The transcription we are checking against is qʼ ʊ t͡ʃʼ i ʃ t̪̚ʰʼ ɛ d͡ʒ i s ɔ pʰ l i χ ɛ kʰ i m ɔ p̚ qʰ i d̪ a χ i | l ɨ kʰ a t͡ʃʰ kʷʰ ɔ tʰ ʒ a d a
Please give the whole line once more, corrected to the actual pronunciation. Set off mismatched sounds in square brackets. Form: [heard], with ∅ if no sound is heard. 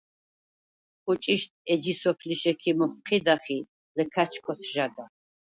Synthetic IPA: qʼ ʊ t͡ʃʼ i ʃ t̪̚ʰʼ ɛ d͡ʒ i s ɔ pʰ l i [ʃ] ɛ kʰ i m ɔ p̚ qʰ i d̪ a χ i | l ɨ kʰ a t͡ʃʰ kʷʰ ɔ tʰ ʒ a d a